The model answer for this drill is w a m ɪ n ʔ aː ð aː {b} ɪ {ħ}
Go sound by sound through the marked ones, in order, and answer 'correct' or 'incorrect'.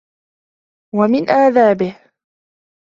correct, incorrect: h

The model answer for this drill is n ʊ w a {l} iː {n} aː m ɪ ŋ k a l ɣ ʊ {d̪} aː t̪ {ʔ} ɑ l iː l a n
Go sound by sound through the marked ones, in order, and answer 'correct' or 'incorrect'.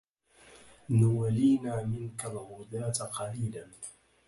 correct, correct, correct, incorrect: q

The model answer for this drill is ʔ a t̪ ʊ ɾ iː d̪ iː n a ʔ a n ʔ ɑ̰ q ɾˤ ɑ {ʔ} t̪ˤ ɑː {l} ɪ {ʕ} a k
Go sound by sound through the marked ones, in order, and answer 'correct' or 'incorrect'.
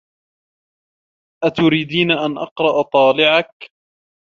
correct, correct, correct

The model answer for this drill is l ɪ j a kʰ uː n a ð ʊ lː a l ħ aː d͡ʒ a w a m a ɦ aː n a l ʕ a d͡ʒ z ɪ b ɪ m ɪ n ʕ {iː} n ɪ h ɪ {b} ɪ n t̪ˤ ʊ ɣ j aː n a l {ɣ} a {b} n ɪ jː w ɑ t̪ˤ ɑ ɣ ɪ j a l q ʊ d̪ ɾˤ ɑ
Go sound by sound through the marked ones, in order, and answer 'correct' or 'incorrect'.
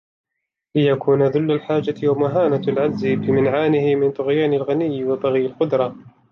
incorrect: aː, incorrect: m, correct, incorrect: none

